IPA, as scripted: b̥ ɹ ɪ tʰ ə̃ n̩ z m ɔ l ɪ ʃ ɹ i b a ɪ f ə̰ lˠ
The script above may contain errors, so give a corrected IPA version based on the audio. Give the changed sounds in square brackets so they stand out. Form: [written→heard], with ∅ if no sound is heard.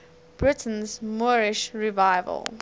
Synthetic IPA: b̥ ɹ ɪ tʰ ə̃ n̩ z m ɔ [l→ɹ] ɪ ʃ ɹ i [b→v] a ɪ [f→v] ə̰ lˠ